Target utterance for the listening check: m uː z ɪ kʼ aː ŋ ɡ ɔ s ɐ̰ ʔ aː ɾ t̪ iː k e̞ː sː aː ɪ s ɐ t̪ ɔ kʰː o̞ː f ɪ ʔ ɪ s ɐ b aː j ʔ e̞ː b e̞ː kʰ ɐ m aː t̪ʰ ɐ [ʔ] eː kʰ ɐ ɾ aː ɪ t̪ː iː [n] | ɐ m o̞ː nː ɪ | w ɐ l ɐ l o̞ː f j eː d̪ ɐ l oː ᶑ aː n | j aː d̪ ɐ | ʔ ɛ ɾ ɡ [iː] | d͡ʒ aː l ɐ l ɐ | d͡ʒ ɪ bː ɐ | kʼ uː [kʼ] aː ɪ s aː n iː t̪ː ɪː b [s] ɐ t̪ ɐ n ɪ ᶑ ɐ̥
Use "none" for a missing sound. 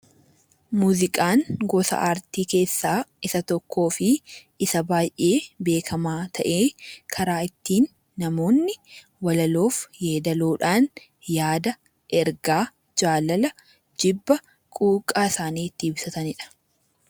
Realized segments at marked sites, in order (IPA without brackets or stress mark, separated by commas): ʔ, nː, aː, kʼ, s